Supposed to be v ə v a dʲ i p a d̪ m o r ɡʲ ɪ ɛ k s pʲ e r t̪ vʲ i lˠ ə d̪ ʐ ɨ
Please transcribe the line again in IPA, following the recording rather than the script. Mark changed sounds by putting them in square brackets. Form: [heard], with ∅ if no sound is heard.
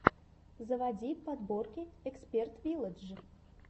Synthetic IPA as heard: [z] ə v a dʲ i p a d̪ [b] o r [kʲ] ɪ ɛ k s pʲ e r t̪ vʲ i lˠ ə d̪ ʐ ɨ